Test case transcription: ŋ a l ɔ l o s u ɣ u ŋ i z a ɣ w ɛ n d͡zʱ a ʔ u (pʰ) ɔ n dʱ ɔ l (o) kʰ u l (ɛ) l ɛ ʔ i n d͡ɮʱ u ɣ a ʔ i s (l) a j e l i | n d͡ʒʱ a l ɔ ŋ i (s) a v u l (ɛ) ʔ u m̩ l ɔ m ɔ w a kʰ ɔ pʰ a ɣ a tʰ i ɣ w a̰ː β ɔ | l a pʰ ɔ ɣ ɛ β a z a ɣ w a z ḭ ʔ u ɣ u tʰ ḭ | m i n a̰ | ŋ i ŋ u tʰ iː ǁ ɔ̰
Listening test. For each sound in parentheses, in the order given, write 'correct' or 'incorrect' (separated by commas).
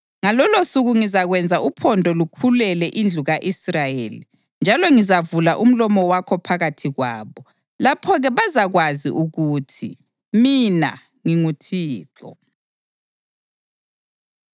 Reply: correct, incorrect, correct, incorrect, incorrect, incorrect